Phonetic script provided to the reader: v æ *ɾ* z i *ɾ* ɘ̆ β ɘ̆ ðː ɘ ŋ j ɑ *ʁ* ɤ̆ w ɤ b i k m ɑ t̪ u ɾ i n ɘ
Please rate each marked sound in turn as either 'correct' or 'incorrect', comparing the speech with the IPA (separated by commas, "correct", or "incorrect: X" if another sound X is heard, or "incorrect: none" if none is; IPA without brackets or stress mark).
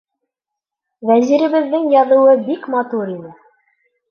incorrect: none, correct, incorrect: ð